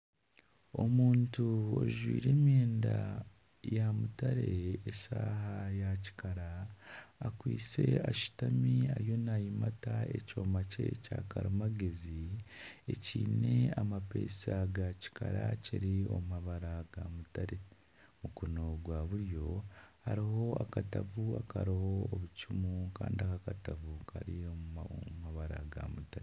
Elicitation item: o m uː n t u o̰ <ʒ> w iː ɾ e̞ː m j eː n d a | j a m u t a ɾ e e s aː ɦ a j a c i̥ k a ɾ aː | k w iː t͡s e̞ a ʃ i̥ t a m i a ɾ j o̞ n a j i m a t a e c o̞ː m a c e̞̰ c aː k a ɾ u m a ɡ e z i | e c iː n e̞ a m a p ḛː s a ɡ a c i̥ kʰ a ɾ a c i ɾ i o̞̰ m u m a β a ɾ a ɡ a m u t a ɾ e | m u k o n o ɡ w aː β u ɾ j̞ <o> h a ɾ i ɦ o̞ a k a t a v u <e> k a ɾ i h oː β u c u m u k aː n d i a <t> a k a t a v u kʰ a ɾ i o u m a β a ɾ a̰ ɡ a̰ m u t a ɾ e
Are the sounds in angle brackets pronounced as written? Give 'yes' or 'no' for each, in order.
yes, yes, no, no

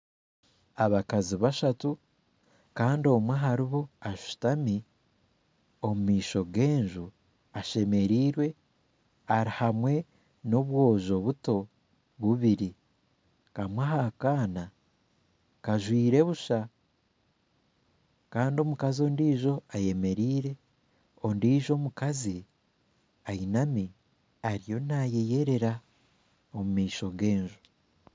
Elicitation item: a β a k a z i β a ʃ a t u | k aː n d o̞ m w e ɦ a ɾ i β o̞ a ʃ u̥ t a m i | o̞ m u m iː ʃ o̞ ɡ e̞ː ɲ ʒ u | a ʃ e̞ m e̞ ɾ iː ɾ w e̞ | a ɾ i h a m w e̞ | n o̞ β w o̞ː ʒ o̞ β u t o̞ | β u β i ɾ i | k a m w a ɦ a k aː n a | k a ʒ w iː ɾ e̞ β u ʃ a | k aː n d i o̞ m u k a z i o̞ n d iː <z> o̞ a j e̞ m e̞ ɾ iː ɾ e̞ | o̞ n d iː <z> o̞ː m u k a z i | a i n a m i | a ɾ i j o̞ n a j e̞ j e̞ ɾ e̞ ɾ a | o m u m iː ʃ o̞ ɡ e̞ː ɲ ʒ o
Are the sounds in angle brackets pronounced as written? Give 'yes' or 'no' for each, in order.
no, no

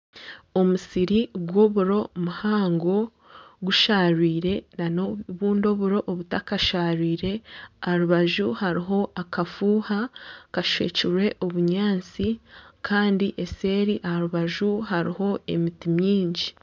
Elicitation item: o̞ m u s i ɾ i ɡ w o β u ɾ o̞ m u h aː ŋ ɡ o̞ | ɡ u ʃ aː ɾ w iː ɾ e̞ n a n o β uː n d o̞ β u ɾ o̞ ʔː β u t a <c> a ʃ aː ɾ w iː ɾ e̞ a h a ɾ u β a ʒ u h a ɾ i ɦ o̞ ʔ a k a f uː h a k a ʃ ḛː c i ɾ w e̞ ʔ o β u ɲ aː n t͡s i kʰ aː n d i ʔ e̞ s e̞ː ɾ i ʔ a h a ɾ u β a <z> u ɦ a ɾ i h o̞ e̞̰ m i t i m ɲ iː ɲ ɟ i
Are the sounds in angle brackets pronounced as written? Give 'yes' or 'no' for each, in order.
no, no

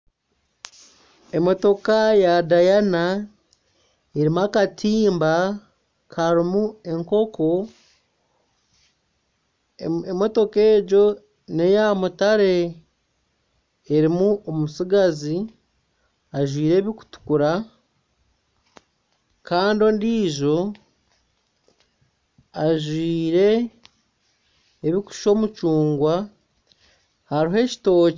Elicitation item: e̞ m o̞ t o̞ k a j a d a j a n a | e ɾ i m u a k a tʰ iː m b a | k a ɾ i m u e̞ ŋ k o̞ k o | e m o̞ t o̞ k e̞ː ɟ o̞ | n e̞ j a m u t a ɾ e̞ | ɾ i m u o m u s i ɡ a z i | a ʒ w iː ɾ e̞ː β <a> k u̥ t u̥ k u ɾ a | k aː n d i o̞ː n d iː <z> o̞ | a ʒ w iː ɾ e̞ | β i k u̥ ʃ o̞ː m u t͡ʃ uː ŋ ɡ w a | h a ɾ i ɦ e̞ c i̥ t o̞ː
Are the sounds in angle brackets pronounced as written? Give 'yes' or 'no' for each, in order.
no, no

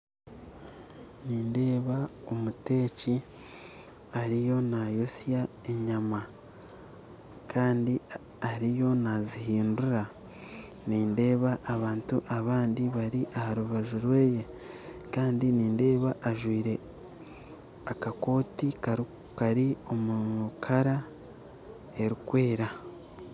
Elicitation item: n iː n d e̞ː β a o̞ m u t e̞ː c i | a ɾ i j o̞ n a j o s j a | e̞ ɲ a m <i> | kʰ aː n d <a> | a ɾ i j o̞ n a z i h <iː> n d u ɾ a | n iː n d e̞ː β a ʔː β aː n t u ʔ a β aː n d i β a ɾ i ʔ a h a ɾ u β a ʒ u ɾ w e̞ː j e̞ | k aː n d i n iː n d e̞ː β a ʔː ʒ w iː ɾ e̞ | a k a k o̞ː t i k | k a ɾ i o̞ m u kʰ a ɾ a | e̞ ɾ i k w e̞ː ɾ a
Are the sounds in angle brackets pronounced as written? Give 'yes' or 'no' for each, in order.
no, no, yes

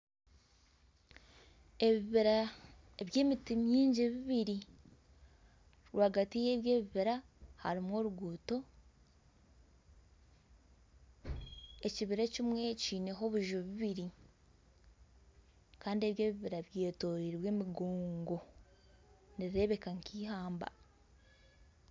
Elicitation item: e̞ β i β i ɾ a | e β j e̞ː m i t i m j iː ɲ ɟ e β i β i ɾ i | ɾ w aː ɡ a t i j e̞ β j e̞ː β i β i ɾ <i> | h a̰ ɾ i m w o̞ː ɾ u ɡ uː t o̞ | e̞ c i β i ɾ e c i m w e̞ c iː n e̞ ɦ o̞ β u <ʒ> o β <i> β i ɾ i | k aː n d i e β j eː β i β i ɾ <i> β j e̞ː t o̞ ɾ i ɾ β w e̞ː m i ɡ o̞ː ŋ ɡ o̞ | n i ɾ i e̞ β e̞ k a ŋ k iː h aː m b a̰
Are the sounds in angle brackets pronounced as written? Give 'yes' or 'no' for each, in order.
no, yes, yes, no

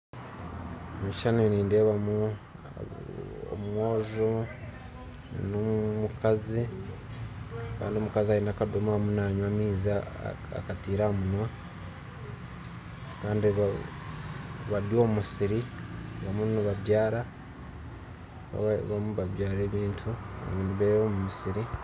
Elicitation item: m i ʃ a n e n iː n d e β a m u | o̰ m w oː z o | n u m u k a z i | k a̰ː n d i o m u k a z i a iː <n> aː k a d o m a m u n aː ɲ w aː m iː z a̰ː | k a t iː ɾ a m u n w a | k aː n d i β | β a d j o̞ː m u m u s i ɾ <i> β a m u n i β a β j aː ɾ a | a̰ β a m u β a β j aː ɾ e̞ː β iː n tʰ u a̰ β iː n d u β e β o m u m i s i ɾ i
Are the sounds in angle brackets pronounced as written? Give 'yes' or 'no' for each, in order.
yes, yes

